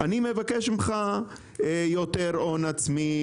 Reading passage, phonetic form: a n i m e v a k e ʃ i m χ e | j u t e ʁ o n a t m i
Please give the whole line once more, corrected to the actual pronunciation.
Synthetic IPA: a n i m e v a k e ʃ i m χ a | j o t e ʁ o n a t͡s m i